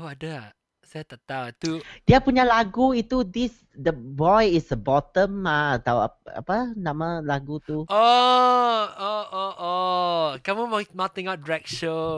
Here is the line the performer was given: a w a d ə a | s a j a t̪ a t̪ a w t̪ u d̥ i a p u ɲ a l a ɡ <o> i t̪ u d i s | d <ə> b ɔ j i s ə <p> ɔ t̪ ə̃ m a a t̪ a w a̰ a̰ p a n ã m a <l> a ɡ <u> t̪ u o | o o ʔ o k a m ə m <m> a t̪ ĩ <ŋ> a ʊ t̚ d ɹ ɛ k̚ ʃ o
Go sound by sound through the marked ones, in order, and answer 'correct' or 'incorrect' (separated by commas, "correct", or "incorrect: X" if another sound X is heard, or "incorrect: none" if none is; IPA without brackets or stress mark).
incorrect: u, correct, incorrect: b, correct, correct, correct, correct